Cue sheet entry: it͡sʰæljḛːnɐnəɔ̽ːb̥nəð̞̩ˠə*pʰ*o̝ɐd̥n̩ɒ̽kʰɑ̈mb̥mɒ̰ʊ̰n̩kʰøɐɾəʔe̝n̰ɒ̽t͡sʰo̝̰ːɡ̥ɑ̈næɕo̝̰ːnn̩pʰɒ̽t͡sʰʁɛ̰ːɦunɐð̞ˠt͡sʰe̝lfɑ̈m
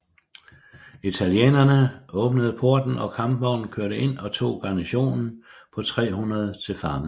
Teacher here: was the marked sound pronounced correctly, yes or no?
yes